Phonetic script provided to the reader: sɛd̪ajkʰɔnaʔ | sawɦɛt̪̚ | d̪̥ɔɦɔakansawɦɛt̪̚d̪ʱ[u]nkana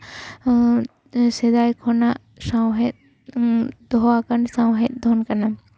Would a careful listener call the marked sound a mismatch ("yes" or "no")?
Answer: yes